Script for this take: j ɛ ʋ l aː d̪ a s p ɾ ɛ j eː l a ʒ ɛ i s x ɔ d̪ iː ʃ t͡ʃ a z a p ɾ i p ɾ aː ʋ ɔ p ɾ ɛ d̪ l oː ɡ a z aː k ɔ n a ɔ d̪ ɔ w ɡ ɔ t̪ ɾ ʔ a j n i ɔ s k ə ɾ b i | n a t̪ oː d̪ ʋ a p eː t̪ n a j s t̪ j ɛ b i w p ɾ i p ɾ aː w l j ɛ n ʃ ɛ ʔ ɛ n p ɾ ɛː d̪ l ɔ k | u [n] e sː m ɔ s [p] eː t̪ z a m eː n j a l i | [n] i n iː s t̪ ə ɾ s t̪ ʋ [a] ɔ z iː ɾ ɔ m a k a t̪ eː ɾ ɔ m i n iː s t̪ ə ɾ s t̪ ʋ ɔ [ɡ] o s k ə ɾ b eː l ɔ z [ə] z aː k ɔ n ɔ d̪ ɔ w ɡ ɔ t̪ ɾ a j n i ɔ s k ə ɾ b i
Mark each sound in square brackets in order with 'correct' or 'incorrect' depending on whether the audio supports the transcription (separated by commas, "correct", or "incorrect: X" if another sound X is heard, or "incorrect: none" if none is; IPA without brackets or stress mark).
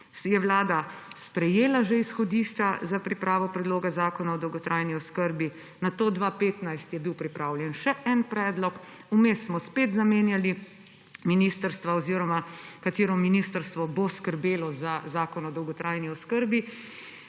incorrect: m, correct, incorrect: m, correct, incorrect: b, incorrect: a